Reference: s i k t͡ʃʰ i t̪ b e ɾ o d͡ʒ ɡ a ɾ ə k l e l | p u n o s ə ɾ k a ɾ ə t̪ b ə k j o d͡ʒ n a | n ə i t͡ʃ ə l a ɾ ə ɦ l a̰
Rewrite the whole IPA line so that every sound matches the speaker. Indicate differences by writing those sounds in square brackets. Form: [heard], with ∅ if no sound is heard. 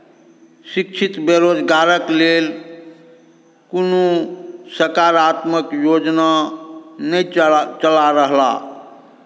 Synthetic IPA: s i k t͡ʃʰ i t̪ b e ɾ o d͡ʒ ɡ a ɾ ə k l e l | [k] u n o s ə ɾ k a ɾ [a] t̪ [m] ə k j o d͡ʒ n a | n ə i t͡ʃ ə l a ɾ ə ɦ l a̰